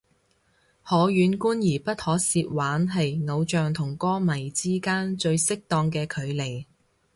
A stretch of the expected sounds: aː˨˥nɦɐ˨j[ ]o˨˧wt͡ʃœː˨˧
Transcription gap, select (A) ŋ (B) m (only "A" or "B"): A